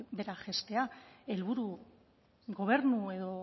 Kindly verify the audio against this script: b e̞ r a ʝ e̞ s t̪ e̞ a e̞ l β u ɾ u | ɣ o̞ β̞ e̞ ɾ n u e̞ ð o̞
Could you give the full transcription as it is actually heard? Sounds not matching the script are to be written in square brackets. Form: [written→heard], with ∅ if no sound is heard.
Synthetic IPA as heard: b e̞ [r→ɾ] a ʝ e̞ s t̪ e̞ a e̞ l β u ɾ u | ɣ o̞ β̞ e̞ ɾ n u e̞ ð o̞

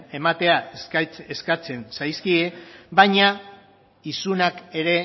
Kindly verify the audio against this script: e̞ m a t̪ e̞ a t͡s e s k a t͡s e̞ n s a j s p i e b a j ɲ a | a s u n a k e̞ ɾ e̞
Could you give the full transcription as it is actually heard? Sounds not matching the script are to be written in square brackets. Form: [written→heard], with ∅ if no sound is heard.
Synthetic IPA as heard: e̞ m a t̪ e̞ a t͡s e s k a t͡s e̞ n s a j s [p→k] i e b a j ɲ a | [a→i] s u n a k e̞ ɾ e̞

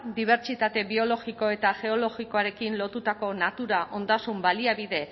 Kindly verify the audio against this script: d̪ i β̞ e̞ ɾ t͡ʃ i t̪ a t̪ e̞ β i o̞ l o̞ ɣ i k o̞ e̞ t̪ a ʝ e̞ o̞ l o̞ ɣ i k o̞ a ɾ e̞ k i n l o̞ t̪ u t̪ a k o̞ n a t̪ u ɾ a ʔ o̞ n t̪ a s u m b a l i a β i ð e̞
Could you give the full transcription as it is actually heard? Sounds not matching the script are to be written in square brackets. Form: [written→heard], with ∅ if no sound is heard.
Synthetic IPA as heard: d̪ i β̞ e̞ ɾ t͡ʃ i t̪ a t̪ e̞ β i o̞ l o̞ ɣ i k o̞ e̞ t̪ a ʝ e̞ o̞ l o̞ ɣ i k o̞ a ɾ e̞ k i n l o̞ t̪ u t̪ a k o̞ n a t̪ u ɾ a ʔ o̞ n [t̪→d̪] a s u m b a l i a β i ð e̞

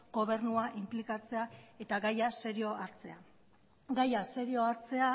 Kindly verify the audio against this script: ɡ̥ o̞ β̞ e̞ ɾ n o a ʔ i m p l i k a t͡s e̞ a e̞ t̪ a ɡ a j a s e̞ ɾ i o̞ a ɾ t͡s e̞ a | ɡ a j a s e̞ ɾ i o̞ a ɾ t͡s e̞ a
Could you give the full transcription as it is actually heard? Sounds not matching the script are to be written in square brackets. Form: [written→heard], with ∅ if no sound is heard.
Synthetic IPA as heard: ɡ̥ o̞ β̞ e̞ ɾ n [o→u] a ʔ i m p l i k a t͡s e̞ a e̞ t̪ a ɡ a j a s e̞ ɾ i o̞ a ɾ t͡s e̞ a | ɡ a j a s e̞ ɾ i o̞ a ɾ t͡s e̞ a

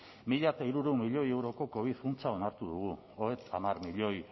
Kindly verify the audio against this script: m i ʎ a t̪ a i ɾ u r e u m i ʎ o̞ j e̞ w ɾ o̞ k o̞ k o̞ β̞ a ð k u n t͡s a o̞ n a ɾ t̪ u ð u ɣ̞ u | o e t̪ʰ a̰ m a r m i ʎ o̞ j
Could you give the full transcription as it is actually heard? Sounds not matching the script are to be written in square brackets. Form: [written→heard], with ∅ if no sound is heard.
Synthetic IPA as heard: m i ʎ a t̪ a i ɾ u [r→ɾ] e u m i ʎ o̞ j e̞ w ɾ o̞ k o̞ k o̞ β̞ [a→i] ð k u n t͡s a o̞ n a ɾ t̪ u ð u ɣ̞ u | o e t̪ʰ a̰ m a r m i ʎ o̞ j

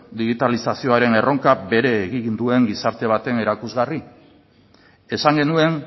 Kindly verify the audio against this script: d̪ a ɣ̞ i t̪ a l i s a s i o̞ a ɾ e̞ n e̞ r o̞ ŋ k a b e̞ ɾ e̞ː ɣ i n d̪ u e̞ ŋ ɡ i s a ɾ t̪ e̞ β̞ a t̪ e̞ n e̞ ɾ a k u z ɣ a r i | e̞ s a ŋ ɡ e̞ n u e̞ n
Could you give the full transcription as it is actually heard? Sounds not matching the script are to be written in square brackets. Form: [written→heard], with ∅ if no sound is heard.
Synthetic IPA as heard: d̪ [a→i] ɣ̞ i t̪ a l i s a s i o̞ a ɾ e̞ n e̞ r o̞ ŋ k a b e̞ ɾ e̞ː ɣ i n d̪ u e̞ ŋ ɡ i s a ɾ t̪ e̞ β̞ a t̪ e̞ n e̞ ɾ a k u z ɣ a r i | e̞ s a ŋ ɡ e̞ n u e̞ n

